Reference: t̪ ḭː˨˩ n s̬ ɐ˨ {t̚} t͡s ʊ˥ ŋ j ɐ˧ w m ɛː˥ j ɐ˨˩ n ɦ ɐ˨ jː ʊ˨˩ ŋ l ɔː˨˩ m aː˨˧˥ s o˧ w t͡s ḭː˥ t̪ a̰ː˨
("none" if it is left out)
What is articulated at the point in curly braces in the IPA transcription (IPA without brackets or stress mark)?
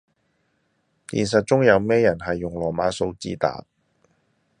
t̚